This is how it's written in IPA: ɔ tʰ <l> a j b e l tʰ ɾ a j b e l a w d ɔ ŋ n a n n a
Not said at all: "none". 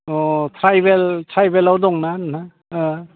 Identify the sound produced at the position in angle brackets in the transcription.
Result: ɾ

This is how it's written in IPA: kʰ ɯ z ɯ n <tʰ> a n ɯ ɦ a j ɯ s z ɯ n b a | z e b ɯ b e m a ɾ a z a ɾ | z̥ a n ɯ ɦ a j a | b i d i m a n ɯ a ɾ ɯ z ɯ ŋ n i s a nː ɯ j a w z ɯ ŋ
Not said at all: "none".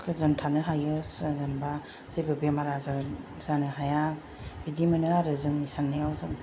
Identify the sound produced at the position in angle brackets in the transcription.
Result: tʰ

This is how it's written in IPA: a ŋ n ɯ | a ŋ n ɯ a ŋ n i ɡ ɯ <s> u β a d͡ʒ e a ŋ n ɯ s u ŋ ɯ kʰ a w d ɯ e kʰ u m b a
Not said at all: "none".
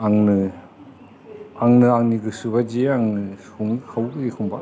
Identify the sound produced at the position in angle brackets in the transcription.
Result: s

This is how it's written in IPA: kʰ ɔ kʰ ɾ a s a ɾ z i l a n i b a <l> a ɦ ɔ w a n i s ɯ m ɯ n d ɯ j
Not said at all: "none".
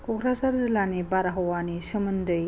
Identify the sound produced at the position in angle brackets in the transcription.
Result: ɾ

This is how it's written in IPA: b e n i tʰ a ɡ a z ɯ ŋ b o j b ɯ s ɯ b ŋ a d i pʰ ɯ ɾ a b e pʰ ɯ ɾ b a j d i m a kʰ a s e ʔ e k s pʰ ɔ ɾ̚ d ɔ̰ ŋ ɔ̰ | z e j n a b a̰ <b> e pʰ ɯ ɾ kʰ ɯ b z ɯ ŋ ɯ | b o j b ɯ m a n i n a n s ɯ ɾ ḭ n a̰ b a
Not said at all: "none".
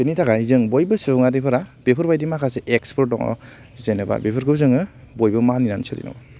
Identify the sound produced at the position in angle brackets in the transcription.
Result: b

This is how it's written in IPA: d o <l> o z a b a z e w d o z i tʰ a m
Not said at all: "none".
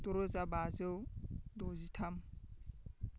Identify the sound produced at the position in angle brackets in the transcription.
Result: ɾ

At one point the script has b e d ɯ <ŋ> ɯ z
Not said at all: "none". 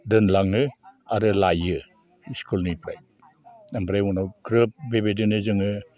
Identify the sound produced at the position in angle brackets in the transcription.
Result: n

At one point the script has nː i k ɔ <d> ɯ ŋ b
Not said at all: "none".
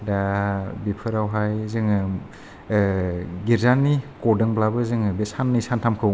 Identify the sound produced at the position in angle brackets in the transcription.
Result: d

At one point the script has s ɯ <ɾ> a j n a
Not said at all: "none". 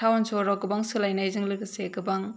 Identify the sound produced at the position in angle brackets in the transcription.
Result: l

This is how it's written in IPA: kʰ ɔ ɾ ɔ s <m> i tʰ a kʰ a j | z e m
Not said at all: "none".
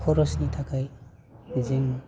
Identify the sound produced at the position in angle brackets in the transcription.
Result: n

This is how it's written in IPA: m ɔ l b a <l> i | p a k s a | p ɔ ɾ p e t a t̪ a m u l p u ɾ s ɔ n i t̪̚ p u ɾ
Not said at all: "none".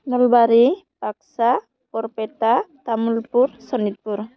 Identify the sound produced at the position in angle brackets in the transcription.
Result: ɾ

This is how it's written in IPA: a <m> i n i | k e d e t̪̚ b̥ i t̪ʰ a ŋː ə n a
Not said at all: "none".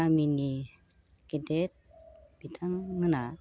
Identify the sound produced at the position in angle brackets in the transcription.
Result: m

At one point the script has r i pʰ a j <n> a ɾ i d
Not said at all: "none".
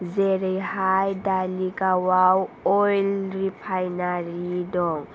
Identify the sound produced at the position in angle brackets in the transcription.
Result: n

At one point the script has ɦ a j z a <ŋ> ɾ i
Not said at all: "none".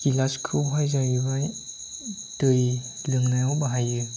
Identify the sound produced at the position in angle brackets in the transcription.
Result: none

